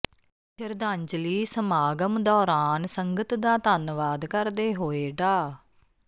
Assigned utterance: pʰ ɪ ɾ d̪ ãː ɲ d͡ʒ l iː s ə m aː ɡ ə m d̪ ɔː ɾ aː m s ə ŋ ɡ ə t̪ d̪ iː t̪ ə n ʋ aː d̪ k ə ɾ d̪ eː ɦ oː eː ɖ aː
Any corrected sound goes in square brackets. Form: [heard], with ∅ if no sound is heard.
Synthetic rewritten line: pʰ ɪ ɾ d̪ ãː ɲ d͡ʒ l iː s ə m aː ɡ ə m d̪ ɔː ɾ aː [n] s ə ŋ ɡ ə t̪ d̪ [aː] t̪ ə n ʋ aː d̪ k ə ɾ d̪ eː ɦ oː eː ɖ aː